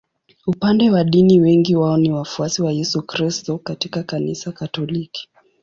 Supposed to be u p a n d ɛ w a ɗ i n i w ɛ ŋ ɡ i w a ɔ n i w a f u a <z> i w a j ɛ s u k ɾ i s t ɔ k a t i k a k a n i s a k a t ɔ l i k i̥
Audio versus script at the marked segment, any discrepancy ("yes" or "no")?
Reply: yes